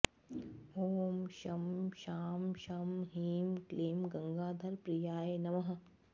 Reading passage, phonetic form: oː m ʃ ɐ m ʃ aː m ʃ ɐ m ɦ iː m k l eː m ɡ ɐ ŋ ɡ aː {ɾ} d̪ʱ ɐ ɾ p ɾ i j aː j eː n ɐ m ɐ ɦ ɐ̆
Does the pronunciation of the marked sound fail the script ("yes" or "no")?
yes